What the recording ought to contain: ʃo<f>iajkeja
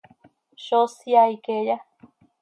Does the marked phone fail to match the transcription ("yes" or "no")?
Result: yes